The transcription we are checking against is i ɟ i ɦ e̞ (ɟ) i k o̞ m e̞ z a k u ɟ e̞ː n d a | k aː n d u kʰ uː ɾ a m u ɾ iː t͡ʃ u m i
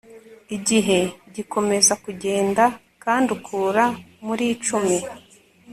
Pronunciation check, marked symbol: correct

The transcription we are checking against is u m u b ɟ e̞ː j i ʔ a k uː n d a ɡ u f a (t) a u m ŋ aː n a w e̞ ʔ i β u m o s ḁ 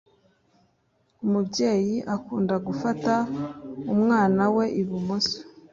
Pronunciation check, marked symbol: correct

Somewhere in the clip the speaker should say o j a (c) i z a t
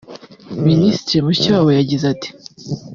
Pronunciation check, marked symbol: incorrect: ɟ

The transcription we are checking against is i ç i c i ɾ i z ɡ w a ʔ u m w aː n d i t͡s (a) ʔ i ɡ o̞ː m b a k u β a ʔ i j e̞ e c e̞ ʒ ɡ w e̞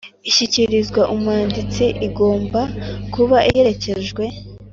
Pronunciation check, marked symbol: incorrect: i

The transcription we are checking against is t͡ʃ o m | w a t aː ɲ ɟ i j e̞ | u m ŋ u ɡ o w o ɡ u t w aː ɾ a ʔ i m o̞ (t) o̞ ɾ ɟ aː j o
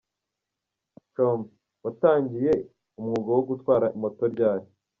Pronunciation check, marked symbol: correct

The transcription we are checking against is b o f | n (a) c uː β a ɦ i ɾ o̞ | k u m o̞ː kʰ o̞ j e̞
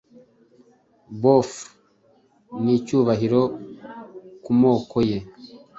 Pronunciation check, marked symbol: incorrect: i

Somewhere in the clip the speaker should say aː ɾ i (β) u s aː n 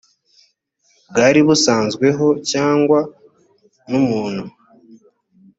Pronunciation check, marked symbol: correct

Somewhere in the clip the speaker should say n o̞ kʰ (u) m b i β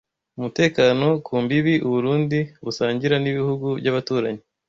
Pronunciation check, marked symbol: incorrect: uː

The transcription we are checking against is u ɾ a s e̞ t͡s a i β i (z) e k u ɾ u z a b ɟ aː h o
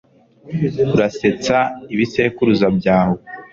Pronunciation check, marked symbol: incorrect: s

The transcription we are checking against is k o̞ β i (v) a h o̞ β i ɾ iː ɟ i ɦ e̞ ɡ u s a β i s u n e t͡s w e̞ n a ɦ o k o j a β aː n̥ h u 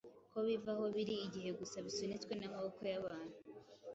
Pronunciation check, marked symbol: correct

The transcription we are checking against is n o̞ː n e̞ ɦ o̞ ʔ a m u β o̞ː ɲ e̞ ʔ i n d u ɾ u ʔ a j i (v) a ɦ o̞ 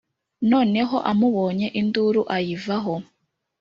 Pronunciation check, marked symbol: correct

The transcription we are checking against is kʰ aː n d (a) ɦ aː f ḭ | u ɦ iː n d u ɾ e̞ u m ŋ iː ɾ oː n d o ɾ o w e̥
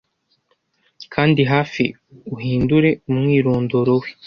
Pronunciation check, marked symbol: incorrect: i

